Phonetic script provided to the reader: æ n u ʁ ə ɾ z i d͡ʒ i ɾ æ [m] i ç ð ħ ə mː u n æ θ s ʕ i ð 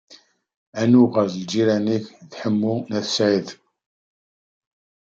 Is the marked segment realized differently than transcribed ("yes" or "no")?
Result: yes